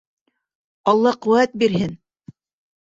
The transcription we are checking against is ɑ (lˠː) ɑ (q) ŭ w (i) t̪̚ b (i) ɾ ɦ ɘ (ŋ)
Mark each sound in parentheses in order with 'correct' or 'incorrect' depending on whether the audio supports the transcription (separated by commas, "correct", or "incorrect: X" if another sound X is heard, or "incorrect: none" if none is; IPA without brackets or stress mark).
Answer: correct, correct, incorrect: æ, correct, incorrect: n